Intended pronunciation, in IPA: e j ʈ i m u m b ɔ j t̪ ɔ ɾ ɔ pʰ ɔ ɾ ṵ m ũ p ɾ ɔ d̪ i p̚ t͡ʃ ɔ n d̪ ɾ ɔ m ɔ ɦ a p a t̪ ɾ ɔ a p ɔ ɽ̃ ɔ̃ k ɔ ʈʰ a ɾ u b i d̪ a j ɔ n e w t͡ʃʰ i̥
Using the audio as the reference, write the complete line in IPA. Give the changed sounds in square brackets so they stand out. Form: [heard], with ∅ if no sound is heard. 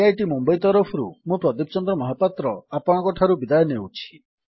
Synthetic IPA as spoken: [a] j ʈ i m u m b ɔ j t̪ ɔ ɾ ɔ pʰ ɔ ɾ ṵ m ũ p ɾ ɔ d̪ i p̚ t͡ʃ ɔ n d̪ ɾ ɔ m ɔ ɦ a p a t̪ ɾ ɔ a p ɔ ɽ̃ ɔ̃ k ɔ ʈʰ a ɾ u b i d̪ a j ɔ n e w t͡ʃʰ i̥